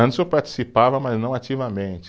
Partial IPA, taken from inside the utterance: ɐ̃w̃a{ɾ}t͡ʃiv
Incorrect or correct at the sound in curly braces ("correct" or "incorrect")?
incorrect